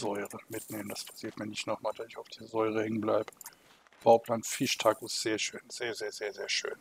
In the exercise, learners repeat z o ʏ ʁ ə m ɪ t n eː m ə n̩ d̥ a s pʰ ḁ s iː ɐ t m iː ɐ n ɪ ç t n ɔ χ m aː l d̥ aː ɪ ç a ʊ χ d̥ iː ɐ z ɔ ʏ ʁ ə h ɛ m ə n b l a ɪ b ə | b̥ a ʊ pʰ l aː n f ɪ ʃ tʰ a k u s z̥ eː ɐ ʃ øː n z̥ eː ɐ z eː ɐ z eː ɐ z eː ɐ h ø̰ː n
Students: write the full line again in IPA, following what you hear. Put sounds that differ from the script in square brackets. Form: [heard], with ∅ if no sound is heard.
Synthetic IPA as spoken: z [ɔ] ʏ ʁ ə m ɪ t n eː m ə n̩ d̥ a s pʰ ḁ s iː ɐ t m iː ɐ n ɪ ç t n ɔ χ m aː l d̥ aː ɪ ç a ʊ [f] d̥ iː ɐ z ɔ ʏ ʁ ə h ɛ [ŋ] ə n b l a ɪ b ə | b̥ a ʊ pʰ l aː n f ɪ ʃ tʰ a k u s z̥ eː ɐ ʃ øː n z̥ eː ɐ z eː ɐ z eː ɐ z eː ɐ [ʃ] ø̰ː n

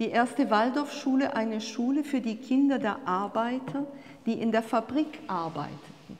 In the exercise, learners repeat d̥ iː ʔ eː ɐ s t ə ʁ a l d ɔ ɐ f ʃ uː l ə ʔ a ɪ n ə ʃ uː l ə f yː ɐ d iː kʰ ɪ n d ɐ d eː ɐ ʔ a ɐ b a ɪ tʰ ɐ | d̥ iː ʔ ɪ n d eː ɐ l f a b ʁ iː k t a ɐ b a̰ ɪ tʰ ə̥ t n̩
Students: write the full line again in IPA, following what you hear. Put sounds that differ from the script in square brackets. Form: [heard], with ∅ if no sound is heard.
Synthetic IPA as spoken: d̥ iː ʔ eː ɐ s t ə [v] a l d ɔ ɐ f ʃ uː l ə ʔ a ɪ n ə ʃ uː l ə f yː ɐ d iː kʰ ɪ n d ɐ d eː ɐ ʔ a ɐ b a ɪ tʰ ɐ | d̥ iː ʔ ɪ n d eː ɐ [∅] f a b ʁ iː k [ʔ] a ɐ b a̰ ɪ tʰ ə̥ t n̩

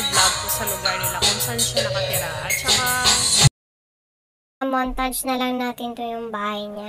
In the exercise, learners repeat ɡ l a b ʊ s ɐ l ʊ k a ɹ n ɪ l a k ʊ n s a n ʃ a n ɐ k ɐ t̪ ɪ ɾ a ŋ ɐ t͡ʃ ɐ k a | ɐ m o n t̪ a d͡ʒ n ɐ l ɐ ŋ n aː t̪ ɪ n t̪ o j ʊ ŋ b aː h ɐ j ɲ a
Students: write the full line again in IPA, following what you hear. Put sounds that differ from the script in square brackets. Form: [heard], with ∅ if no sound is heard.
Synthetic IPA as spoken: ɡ l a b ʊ s ɐ l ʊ [ɡ] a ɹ n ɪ l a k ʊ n s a n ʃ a n ɐ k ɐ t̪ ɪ ɾ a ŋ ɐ t͡ʃ ɐ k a | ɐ m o n t̪ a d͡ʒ n ɐ l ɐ ŋ n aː t̪ ɪ n t̪ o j ʊ ŋ b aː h ɐ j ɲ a

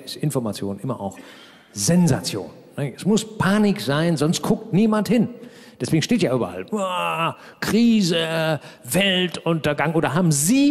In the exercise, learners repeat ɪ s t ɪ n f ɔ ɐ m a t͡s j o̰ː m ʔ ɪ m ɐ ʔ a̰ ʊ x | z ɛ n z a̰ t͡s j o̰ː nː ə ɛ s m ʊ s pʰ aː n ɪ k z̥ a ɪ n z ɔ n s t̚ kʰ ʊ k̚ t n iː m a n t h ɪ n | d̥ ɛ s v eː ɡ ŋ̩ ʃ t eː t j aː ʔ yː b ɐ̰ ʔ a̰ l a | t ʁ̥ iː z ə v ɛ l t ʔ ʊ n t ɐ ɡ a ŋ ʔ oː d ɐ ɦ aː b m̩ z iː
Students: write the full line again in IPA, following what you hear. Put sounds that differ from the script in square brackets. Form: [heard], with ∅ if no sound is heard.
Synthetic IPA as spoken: ɪ s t ɪ n f ɔ ɐ m a t͡s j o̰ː [n] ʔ ɪ m ɐ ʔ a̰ ʊ x | z ɛ n z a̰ t͡s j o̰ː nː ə ɛ s m ʊ s pʰ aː n ɪ k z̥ a ɪ n z ɔ n s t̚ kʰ ʊ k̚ t n iː m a n t h ɪ n | d̥ ɛ s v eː ɡ ŋ̩ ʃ t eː t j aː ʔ yː b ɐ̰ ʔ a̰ l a | [k] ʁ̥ iː z ə v ɛ l t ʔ ʊ n t ɐ ɡ a ŋ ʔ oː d ɐ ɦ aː b m̩ z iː

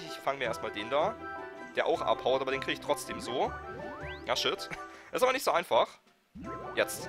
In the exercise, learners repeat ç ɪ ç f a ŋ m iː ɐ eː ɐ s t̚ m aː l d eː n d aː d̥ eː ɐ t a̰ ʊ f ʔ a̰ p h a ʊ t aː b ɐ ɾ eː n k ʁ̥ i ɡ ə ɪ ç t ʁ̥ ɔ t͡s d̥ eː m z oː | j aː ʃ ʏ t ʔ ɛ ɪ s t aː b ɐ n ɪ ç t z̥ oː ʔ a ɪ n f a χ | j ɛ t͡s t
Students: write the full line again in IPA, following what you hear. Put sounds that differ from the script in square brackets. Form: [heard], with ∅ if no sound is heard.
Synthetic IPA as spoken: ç ɪ ç f a ŋ m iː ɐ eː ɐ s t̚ m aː l d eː n d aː d̥ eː ɐ [ʔ] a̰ ʊ [x] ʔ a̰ p h a ʊ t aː b ɐ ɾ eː n k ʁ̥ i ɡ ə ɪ ç t ʁ̥ ɔ t͡s d̥ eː m z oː | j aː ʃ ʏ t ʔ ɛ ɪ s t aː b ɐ n ɪ ç t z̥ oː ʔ a ɪ n f a χ | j ɛ t͡s t

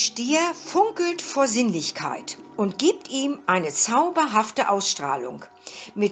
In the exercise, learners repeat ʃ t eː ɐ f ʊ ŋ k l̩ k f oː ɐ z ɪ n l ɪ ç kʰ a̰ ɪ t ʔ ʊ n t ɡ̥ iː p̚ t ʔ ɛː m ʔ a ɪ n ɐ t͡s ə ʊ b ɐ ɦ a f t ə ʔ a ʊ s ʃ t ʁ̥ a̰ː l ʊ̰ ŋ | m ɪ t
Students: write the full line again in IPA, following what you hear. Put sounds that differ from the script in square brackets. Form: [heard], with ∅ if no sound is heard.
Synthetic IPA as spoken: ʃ t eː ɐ f ʊ ŋ k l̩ [t] f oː ɐ z ɪ n l ɪ ç kʰ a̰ ɪ t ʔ ʊ n t ɡ̥ iː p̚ t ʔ [iː] m ʔ a ɪ n [ə] t͡s [a] ʊ b ɐ ɦ a f t ə ʔ a ʊ s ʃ t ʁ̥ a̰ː l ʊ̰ ŋ | m ɪ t

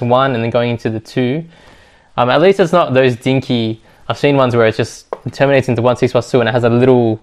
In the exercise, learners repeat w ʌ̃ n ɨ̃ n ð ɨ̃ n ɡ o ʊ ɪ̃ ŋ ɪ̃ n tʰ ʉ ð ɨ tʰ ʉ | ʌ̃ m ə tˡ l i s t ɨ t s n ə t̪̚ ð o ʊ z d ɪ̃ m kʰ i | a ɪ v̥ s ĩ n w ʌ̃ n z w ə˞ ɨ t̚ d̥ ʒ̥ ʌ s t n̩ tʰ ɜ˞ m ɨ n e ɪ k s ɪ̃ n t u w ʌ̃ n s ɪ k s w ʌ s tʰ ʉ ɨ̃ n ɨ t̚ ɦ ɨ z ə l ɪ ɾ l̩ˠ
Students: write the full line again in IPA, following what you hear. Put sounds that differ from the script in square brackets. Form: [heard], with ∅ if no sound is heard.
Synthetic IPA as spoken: w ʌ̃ n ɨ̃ n ð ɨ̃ n ɡ o ʊ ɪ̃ ŋ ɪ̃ n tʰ ʉ ð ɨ tʰ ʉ | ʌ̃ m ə tˡ l i s t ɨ t s n ə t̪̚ ð o ʊ z d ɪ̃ [ŋ] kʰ i | a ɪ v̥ s ĩ n w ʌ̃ n z w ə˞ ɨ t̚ d̥ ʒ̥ ʌ s t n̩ tʰ ɜ˞ m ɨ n e ɪ [t] s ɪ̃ n t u w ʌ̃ n s ɪ k s w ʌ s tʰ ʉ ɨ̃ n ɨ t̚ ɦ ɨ z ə l ɪ ɾ l̩ˠ

